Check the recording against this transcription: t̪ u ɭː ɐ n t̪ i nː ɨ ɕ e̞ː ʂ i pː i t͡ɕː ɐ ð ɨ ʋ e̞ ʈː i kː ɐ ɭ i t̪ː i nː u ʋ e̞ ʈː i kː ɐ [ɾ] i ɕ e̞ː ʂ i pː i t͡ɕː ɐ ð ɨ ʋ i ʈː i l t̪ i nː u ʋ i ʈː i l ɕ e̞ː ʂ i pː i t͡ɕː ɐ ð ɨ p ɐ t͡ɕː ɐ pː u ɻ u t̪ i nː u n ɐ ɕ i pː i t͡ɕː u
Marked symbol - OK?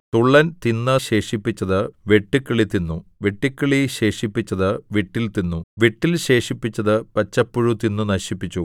no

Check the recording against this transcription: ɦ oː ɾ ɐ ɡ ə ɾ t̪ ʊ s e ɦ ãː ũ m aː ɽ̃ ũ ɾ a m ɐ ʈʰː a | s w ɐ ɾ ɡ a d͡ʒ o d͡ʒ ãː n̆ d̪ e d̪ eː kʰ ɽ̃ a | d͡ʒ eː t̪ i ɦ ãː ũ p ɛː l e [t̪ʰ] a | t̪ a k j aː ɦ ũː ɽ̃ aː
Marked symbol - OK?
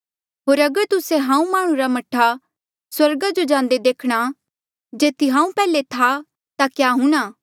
yes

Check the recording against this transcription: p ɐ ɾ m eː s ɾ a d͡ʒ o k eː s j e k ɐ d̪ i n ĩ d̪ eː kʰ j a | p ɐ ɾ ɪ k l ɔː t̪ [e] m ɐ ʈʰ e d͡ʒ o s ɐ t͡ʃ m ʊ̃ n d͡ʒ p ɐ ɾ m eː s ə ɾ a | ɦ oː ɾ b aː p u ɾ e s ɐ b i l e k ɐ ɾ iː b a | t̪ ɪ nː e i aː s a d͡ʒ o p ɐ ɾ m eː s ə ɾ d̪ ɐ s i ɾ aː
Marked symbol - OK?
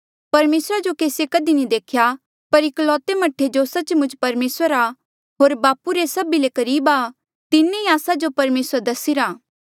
yes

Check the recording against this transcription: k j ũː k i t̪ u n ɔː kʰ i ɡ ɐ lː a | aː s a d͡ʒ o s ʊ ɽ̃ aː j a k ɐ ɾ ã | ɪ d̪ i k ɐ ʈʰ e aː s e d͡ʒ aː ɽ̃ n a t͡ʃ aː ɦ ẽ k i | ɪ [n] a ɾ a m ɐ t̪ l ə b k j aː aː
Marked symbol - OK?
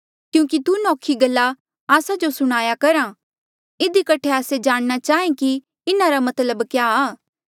yes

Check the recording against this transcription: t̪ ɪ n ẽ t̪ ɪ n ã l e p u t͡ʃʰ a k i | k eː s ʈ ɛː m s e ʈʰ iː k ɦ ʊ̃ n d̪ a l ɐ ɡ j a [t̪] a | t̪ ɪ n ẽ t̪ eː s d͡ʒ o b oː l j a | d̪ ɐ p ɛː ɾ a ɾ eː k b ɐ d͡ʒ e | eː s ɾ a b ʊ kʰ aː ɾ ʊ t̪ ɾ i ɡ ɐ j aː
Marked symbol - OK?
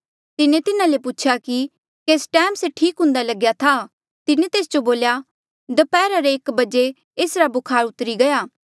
no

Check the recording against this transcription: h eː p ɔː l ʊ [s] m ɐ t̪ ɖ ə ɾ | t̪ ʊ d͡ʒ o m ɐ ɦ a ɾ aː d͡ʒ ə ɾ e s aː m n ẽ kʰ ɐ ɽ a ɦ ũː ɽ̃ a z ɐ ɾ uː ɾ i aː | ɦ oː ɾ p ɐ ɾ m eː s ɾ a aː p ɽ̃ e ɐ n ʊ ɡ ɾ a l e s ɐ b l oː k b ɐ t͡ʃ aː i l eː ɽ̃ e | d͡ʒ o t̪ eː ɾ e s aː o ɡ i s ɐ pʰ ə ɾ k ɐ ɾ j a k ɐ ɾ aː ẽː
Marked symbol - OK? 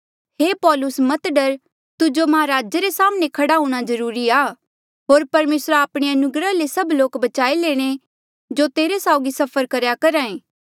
yes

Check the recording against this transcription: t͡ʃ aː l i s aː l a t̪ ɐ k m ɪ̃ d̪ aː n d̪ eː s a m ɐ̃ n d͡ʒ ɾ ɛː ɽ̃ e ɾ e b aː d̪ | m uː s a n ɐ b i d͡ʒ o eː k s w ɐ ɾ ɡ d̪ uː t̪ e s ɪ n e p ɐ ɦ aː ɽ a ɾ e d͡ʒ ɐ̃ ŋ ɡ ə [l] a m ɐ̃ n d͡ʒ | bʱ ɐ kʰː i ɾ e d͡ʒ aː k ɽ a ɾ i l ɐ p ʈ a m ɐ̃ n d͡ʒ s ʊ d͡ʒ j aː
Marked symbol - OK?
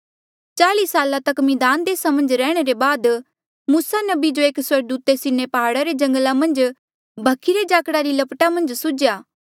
yes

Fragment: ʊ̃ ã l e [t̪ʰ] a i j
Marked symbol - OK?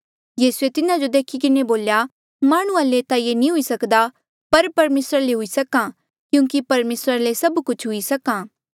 no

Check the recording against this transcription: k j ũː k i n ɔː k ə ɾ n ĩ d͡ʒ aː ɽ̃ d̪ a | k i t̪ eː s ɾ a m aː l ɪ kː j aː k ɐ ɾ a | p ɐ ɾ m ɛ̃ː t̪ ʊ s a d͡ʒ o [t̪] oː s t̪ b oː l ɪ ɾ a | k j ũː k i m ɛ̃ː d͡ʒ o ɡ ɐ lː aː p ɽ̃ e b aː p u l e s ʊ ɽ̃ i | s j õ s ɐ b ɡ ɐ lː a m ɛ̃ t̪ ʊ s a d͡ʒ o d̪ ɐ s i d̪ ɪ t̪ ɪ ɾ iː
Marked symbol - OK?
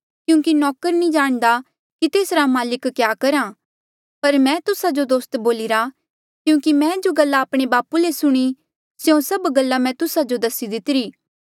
no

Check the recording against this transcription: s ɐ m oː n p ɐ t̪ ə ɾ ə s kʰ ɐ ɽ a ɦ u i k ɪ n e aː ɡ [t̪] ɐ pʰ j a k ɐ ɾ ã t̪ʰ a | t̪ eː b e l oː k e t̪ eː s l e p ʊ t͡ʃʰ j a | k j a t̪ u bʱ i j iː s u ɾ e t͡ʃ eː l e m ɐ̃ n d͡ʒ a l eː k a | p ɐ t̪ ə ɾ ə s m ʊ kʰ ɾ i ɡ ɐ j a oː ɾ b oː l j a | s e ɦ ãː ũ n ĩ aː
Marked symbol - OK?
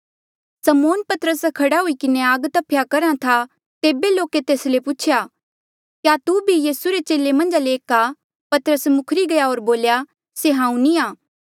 yes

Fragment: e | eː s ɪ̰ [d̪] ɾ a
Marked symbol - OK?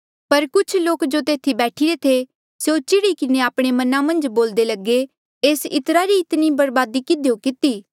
no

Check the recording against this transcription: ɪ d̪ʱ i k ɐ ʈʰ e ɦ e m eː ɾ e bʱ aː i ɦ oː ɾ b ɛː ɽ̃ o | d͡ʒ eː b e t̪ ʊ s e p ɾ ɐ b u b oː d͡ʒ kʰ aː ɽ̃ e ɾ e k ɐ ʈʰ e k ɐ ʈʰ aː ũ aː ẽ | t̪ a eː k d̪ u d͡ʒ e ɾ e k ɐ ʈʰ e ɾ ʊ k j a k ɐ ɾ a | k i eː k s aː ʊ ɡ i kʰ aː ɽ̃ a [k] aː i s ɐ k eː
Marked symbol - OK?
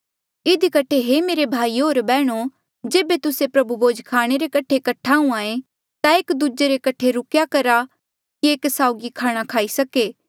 no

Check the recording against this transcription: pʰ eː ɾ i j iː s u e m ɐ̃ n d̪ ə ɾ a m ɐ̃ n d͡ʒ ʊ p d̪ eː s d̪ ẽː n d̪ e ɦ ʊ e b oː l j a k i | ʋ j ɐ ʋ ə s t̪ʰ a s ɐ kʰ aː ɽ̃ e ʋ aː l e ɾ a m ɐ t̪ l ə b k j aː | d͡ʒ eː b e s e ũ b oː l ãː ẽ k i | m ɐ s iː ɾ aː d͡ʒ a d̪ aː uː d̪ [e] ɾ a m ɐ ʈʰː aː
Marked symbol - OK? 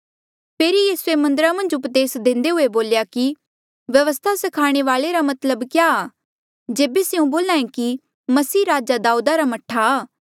no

